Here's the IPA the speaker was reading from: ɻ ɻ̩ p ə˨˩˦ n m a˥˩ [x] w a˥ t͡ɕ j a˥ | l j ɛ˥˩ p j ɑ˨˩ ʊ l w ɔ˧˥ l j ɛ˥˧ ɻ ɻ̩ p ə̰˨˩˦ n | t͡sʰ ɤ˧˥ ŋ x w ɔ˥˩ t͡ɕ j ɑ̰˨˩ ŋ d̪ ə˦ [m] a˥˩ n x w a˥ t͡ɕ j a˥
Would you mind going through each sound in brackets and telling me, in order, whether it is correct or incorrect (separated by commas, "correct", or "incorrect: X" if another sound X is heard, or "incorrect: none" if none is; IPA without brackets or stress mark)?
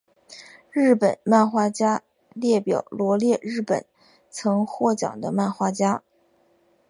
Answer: correct, correct